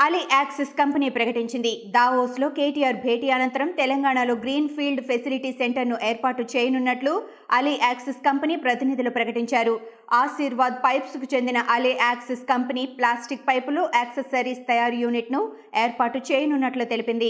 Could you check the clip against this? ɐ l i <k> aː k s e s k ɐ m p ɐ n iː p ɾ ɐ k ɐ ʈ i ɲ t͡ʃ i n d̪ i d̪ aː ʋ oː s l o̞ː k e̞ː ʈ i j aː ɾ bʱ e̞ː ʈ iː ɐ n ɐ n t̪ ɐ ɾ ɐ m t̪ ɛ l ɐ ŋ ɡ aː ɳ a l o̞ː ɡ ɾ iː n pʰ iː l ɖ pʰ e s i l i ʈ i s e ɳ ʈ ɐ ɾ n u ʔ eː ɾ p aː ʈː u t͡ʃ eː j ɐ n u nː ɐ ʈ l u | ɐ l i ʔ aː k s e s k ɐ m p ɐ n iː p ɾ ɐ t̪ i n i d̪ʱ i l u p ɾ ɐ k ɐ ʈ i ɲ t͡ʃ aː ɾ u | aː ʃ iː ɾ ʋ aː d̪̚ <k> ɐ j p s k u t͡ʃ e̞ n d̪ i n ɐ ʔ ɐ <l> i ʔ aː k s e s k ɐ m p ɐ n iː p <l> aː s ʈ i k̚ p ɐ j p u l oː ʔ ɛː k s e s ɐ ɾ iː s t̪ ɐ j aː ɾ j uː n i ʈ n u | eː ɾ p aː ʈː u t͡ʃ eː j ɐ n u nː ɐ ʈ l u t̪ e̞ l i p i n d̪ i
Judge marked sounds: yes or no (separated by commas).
no, no, yes, yes